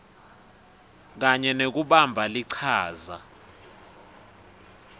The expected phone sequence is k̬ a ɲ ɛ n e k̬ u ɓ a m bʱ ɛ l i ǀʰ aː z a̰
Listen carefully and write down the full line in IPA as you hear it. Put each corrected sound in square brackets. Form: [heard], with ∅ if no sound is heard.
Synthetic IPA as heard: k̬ a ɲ ɛ n e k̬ u ɓ a m bʱ [a] l i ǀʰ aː z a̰